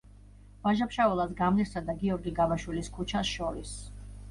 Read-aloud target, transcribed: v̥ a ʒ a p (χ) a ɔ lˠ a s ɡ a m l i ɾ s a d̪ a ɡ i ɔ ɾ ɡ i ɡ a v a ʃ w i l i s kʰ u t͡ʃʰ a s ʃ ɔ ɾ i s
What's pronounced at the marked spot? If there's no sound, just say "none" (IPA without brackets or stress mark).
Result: ʃ